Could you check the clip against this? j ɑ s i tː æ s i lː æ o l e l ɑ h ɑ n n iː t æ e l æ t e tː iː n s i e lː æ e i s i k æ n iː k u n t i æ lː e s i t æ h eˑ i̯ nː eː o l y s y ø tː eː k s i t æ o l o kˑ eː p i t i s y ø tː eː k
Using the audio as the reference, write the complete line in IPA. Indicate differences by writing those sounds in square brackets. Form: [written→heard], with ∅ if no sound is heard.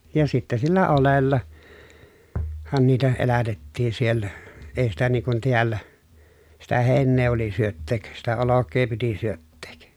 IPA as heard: j ɑ s i tː æ s i lː æ o l e [l→lː] ɑ h ɑ n n iː t æ e l æ t e tː iː n s i e lː æ e i s i [k→t] æ n iː k u n t i æ lː [e→æ] s i t æ h eˑ i̯ nː eː o l [y→i] s y ø tː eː k s i t æ o l o kˑ eː p i t i s y ø tː eː k